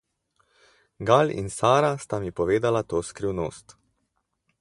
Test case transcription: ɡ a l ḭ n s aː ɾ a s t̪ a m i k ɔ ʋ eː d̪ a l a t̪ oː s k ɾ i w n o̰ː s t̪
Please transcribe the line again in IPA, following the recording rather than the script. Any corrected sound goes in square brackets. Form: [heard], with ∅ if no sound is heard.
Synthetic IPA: ɡ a l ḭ n s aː ɾ a s t̪ a m i [p] ɔ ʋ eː d̪ a l a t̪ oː s k ɾ i w n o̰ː s t̪